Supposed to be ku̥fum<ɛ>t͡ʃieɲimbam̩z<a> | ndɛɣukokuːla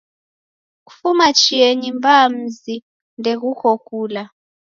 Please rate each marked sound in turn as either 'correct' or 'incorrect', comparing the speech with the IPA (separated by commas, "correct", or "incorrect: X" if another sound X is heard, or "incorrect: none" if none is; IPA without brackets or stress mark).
incorrect: a, incorrect: i